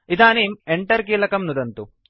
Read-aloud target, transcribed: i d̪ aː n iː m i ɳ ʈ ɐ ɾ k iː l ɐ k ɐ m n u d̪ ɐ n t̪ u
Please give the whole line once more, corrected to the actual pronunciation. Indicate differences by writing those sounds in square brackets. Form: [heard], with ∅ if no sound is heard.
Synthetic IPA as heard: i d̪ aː n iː m [e] ɳ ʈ ɐ ɾ k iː l ɐ k ɐ m n u d̪ ɐ n t̪ u